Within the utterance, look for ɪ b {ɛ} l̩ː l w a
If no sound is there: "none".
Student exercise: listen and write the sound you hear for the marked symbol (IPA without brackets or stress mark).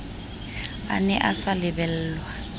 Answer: ɛ